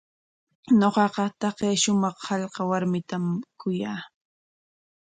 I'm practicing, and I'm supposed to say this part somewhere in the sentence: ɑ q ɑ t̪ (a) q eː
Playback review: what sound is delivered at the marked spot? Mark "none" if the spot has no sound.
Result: ɑ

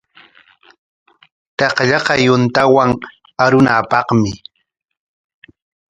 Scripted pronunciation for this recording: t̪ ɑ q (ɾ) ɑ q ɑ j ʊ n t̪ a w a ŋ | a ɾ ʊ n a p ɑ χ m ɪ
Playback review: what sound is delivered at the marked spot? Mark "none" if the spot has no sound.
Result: ʎ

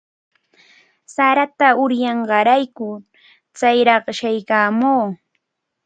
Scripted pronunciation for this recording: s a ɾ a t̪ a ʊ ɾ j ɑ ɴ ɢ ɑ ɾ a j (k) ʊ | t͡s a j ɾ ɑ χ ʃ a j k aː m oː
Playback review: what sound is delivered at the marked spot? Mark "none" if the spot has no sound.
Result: k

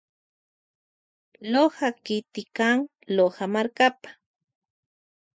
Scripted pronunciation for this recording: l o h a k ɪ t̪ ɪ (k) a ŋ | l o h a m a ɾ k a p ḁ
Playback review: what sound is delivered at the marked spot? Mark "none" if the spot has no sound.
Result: k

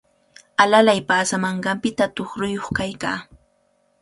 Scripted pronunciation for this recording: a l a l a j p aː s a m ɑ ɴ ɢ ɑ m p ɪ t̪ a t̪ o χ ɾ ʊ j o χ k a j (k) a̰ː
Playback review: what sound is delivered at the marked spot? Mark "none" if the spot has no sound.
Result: k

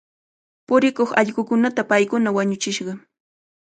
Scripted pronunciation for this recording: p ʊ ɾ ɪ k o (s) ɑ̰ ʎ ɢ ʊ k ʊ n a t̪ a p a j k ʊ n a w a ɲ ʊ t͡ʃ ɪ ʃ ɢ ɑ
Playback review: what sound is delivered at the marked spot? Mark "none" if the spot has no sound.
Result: χ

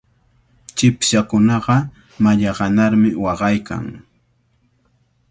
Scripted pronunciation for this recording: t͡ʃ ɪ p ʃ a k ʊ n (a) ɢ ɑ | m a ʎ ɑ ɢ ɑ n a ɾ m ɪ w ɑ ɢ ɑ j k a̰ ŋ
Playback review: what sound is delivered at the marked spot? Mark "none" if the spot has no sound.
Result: ɑ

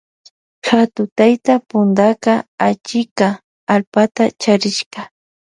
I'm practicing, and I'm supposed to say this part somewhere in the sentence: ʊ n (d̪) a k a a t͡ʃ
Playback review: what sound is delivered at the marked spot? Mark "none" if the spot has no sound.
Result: d̪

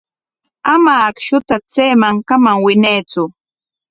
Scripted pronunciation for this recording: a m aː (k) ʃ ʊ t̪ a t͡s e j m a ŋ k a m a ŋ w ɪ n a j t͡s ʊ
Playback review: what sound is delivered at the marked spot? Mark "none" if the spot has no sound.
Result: k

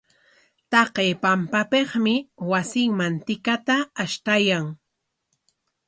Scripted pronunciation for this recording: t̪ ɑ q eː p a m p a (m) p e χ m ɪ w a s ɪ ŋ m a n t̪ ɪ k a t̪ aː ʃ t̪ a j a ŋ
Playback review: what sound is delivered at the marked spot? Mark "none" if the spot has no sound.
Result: none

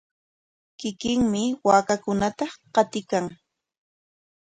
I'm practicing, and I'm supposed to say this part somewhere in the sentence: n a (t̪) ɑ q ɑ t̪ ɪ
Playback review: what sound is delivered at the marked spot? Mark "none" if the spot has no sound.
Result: t̪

